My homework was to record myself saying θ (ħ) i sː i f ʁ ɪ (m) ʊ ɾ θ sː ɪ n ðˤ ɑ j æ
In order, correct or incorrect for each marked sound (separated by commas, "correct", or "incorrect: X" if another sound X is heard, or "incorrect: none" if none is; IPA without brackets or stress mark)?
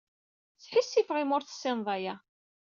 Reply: correct, correct